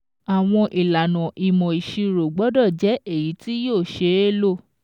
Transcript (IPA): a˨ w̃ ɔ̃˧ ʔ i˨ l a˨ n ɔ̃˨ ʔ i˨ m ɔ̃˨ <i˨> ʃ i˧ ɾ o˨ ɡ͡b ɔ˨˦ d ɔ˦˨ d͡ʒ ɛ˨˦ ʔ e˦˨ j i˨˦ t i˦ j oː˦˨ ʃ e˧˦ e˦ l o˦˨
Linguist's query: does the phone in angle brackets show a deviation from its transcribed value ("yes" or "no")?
no